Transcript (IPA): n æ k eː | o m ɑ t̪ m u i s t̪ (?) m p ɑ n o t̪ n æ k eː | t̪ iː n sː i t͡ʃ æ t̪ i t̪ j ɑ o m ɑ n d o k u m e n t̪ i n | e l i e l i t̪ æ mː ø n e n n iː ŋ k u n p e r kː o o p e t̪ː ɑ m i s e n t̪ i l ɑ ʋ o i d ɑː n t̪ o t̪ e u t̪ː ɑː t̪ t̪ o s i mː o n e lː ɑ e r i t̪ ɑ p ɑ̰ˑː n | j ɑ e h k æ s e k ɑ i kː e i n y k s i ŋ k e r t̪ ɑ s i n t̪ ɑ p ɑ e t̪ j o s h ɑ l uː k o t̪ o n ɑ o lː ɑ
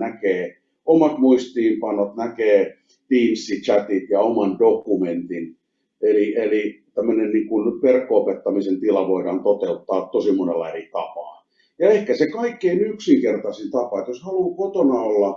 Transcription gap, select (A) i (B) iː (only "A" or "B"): B